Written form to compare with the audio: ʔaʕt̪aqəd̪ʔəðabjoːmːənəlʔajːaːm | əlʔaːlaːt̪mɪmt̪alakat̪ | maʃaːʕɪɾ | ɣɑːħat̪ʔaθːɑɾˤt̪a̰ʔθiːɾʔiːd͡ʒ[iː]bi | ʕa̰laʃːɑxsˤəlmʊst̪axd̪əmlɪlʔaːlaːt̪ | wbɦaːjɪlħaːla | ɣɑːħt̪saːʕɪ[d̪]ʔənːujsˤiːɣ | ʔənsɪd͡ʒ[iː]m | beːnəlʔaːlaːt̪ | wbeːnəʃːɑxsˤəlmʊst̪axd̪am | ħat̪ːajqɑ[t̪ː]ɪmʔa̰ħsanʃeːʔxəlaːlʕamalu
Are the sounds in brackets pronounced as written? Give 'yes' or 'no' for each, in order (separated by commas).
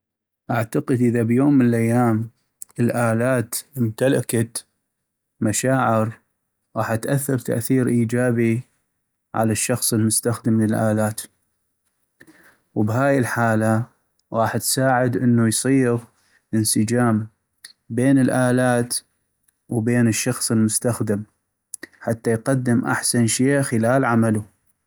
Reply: no, yes, no, no